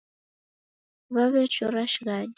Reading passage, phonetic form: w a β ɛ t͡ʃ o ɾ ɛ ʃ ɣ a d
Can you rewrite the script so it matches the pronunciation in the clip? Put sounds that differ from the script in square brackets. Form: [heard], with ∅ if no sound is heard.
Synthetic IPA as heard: [β] a β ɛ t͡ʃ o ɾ [a] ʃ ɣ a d